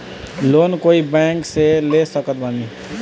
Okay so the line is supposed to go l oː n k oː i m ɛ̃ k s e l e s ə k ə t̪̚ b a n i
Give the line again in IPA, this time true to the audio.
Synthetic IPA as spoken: l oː n k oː i b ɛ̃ k s e l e s ə k ə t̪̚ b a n i